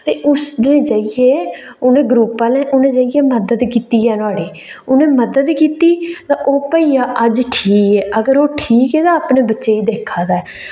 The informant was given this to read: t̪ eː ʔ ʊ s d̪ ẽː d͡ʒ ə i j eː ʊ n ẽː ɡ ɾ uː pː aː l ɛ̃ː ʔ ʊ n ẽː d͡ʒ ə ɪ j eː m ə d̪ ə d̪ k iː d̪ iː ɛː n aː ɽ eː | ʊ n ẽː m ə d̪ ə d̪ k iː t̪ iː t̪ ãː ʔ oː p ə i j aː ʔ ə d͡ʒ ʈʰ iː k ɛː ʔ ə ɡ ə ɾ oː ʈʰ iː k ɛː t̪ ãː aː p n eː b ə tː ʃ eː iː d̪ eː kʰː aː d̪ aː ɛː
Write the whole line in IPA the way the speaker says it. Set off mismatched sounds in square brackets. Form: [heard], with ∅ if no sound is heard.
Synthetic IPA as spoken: t̪ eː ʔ ʊ s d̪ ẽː d͡ʒ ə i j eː ʊ n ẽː ɡ ɾ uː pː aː l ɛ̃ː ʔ ʊ n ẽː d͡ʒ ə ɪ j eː m ə d̪ ə d̪ k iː [t̪] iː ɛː n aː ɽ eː | ʊ n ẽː m ə d̪ ə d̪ k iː t̪ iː t̪ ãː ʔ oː p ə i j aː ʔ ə d͡ʒ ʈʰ iː k ɛː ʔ ə ɡ ə ɾ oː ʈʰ iː k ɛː t̪ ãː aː p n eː b ə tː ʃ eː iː d̪ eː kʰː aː d̪ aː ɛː